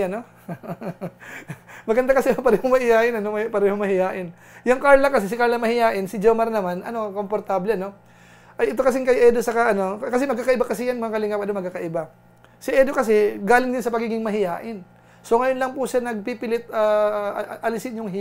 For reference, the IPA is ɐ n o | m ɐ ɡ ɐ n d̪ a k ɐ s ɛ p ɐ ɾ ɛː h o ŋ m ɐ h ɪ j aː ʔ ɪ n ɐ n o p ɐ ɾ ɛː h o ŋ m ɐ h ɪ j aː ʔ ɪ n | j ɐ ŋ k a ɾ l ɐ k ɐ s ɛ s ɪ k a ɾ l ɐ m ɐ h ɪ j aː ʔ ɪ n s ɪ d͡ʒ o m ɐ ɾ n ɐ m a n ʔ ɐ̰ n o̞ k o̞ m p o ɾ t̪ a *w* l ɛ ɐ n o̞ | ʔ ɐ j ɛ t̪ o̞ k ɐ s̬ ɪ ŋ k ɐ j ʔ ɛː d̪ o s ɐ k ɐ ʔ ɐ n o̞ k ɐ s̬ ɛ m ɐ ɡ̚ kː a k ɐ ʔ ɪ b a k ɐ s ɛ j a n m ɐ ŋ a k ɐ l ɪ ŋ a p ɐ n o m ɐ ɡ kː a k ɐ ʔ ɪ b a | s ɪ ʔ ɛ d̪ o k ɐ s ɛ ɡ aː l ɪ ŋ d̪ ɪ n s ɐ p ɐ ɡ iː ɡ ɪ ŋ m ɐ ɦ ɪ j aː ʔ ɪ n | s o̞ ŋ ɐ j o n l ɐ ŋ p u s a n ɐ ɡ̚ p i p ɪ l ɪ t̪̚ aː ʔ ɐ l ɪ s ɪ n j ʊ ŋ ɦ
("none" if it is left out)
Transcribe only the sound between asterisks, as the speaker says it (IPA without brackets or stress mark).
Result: b